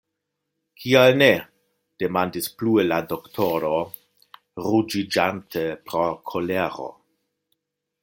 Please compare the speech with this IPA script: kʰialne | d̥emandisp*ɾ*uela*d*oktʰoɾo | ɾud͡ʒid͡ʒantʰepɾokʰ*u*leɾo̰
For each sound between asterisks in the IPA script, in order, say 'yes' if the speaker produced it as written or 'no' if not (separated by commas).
no, yes, no